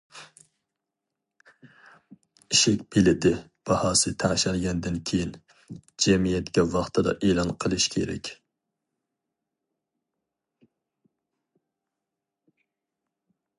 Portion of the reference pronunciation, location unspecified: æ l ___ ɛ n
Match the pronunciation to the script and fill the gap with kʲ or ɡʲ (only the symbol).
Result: ɡʲ